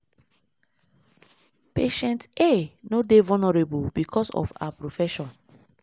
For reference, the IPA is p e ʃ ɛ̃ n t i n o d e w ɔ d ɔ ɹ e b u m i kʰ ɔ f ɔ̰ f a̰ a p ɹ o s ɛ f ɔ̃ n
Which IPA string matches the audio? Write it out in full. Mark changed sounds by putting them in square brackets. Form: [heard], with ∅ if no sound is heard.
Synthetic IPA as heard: p e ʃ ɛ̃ n t [e] n o d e [v] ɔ [n] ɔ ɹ e b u [b] i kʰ ɔ [s] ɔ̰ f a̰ a p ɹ o [f] ɛ [ʃ] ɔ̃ n